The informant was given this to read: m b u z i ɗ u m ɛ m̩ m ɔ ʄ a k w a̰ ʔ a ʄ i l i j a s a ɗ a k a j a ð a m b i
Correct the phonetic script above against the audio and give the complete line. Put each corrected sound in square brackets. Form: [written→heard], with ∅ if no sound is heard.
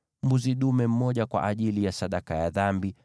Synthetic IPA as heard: m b u z i ɗ u m ɛ m̩ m ɔ ʄ a k w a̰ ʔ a ʄ i l i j a s a ɗ a k a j a ð a m b i